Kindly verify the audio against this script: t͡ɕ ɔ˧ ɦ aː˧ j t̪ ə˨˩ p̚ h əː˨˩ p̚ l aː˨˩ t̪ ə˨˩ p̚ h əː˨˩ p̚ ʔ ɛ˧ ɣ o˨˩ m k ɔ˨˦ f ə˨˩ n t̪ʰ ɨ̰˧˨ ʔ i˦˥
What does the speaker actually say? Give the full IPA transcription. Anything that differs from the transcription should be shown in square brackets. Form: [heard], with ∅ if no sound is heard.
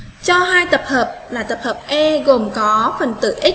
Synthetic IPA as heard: t͡ɕ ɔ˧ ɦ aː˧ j t̪ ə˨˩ p̚ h əː˨˩ p̚ l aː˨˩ t̪ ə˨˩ p̚ h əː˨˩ p̚ ʔ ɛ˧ ɣ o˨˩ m k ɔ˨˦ f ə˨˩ n [t̪] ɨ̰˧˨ ʔ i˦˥